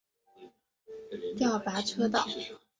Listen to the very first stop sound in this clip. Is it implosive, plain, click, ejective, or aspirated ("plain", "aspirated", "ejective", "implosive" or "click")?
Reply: plain